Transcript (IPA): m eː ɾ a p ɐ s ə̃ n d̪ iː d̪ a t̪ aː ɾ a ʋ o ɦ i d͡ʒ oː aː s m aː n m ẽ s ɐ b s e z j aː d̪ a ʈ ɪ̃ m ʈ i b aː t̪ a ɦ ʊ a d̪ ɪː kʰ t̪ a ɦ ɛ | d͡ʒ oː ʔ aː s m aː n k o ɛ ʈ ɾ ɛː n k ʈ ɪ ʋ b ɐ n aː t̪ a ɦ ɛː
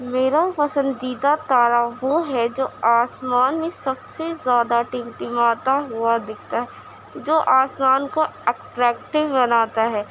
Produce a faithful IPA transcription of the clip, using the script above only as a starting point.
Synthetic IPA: m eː ɾ a p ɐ s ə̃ n d̪ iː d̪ a t̪ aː ɾ a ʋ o ɦ ɛ d͡ʒ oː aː s m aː n m ẽ s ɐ b s e z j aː d̪ a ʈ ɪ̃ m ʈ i m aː t̪ a ɦ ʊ a d̪ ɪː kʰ t̪ a ɦ ɛ | d͡ʒ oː ʔ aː s m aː n k o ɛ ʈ ɾ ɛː k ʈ ɪ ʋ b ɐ n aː t̪ a ɦ ɛː